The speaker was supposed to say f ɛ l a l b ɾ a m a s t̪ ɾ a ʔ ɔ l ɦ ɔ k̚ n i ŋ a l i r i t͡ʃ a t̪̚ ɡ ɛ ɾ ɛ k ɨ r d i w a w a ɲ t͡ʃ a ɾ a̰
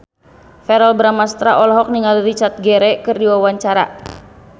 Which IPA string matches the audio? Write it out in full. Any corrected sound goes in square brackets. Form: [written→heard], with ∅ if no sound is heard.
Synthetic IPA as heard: f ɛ [l→ɾ] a l b ɾ a m a s t̪ ɾ a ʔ ɔ l ɦ ɔ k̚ n i ŋ a l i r i t͡ʃ a t̪̚ ɡ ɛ ɾ ɛ k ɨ r d i w a w a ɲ t͡ʃ a ɾ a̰